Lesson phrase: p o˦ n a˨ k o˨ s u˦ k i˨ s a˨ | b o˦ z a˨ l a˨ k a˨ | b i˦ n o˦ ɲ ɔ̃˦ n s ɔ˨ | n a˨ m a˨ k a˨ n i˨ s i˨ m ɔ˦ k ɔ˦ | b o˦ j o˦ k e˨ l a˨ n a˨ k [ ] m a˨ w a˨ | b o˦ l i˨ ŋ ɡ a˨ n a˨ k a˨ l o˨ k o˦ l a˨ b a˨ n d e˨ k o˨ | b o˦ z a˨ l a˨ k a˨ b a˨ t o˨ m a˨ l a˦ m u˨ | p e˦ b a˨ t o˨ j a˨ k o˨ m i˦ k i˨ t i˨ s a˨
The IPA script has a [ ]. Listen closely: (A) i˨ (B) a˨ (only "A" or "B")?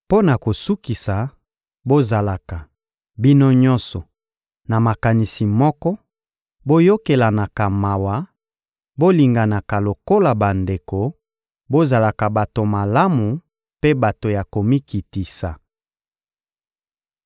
B